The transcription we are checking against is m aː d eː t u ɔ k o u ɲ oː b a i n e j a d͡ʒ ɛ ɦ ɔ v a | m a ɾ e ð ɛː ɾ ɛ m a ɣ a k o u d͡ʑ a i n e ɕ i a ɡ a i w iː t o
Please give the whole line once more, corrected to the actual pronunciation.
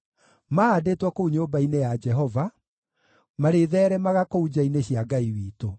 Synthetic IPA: m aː d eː t w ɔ k o u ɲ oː b a i n e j a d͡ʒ ɛ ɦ ɔ v a | m a ɾ e ð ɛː ɾ ɛ m a ɣ a k o u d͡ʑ a i n e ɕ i a ɡ a i w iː t o